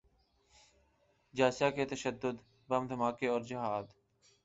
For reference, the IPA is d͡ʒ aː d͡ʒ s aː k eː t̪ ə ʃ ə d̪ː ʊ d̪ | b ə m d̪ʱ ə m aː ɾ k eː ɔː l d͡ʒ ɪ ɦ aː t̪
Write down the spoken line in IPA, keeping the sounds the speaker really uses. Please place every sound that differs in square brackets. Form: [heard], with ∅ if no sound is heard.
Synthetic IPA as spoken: d͡ʒ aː [∅] s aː k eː t̪ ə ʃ ə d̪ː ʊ d̪ | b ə m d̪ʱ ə m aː [∅] k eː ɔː [ɾ] d͡ʒ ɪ ɦ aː [d̪]

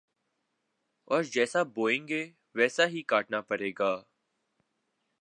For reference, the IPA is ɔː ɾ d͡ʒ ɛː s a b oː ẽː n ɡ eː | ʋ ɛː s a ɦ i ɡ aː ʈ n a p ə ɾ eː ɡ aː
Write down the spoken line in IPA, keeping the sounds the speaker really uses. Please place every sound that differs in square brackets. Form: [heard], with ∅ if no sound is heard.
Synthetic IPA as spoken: ɔː ɾ d͡ʒ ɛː s a b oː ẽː [ŋ] ɡ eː | ʋ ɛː s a ɦ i [k] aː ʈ n a p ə ɾ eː ɡ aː

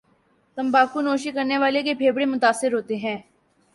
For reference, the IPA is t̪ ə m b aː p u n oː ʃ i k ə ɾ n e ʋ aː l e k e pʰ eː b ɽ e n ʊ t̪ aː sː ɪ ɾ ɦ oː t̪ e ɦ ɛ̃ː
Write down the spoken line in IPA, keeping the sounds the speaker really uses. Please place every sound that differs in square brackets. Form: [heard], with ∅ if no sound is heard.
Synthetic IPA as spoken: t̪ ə m b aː [k] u n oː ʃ i k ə ɾ n e ʋ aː l e k e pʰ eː b ɽ e [m] ʊ t̪ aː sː ɪ ɾ ɦ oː t̪ e ɦ ɛ̃ː

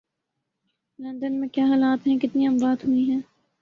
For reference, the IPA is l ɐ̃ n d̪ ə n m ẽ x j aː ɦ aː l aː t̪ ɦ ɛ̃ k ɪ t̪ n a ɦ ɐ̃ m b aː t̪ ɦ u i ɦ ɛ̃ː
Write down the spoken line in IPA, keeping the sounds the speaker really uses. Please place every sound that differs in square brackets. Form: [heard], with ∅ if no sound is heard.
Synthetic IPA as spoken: l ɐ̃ n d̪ ə n m ẽ [k] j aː ɦ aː l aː t̪ ɦ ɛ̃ k ɪ t̪ n [i] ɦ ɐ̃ m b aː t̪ ɦ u i ɦ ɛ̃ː

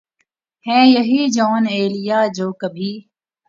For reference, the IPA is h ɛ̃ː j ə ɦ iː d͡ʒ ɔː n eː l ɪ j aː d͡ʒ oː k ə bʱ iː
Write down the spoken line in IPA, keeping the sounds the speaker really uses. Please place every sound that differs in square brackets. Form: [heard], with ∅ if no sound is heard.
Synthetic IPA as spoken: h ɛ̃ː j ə ɦ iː d͡ʒ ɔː n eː l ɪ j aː d͡ʒ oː k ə bʱ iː

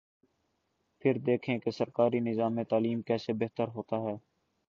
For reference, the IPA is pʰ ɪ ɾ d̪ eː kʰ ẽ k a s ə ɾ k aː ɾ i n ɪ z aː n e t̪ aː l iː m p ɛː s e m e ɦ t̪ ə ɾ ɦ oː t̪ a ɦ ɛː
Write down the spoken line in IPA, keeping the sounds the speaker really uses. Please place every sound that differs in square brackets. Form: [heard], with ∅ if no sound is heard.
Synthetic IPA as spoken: pʰ ɪ ɾ d̪ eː kʰ ẽ k [e] s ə ɾ k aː ɾ i n ɪ z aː [m] e t̪ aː l iː m [k] ɛː s e [b] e ɦ t̪ ə ɾ ɦ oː t̪ a ɦ ɛː

